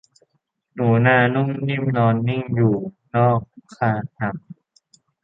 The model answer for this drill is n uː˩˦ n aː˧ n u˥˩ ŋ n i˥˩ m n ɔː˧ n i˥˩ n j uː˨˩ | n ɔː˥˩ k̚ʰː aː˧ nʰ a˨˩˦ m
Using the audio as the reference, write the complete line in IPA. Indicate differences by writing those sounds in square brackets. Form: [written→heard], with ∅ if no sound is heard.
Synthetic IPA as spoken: n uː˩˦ n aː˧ n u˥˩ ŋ n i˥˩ m n ɔː˧ [n→nː] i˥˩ [n→ŋ] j uː˨˩ | n ɔː˥˩ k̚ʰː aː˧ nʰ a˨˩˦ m